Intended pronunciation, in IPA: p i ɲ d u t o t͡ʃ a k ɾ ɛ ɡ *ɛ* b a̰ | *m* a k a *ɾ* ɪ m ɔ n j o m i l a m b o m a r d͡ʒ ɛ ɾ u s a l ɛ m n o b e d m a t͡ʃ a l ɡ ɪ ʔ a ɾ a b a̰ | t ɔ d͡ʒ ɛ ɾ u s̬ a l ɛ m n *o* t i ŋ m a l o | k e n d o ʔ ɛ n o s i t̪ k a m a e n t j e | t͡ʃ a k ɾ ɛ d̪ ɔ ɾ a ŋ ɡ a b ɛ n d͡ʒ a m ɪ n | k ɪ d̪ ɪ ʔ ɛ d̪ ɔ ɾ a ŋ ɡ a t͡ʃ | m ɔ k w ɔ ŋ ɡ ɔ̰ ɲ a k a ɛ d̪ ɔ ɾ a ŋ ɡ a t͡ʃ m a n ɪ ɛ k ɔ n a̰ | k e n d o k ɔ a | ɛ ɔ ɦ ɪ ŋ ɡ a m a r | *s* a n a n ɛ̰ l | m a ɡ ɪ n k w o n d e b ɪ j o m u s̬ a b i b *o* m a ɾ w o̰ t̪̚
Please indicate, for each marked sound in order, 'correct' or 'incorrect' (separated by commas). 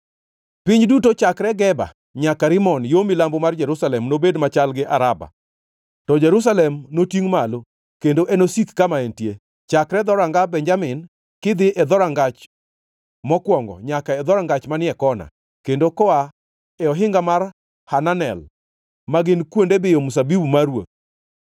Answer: correct, incorrect, correct, correct, incorrect, incorrect